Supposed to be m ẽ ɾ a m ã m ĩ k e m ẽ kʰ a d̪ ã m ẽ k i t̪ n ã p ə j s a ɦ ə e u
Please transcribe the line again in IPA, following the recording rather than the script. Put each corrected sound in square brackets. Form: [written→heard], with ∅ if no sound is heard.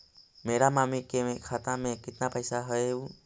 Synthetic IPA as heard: m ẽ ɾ a m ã m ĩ k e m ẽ kʰ a [d̪→t̪] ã m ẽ k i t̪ n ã p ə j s a ɦ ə e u